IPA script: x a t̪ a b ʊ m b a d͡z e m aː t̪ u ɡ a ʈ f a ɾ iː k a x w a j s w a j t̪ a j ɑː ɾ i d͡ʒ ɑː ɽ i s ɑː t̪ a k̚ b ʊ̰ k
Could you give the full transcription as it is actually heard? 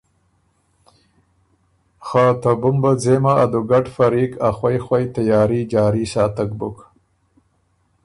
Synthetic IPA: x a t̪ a b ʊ m b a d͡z e m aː d̪ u ɡ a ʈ f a ɾ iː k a x w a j x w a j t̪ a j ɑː ɾ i d͡ʒ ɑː ɾ i s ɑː t̪ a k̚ b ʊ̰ k